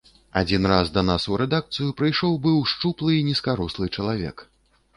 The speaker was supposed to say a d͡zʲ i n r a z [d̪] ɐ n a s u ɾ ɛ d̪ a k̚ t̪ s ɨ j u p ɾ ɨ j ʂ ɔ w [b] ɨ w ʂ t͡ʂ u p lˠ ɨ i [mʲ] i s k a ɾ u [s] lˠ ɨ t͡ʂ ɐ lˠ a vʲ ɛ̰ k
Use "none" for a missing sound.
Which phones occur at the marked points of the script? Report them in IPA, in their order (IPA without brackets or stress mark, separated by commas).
d̪, b, nʲ, s